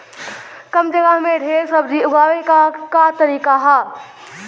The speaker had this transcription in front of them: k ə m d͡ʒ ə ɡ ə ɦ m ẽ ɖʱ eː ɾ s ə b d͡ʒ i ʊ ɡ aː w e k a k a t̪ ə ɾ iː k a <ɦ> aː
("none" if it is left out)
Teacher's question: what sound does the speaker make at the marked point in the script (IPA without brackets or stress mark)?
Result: ɦ